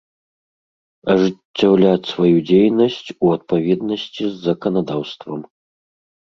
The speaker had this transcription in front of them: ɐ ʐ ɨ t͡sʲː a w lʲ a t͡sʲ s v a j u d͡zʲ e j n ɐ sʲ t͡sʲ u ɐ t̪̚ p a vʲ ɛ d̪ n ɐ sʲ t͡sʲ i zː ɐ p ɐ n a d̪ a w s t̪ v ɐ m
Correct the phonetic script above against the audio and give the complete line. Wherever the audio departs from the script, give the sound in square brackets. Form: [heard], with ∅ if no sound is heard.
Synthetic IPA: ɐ ʐ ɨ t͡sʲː a w lʲ a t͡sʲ s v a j u d͡zʲ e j n ɐ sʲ t͡sʲ u ɐ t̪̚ p a vʲ ɛ d̪ n ɐ sʲ t͡sʲ i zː ɐ [k] ɐ n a d̪ a w s t̪ v ɐ m